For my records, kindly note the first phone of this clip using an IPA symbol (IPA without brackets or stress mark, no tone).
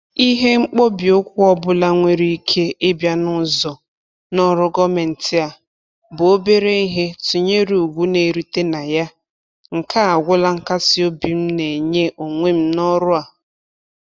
i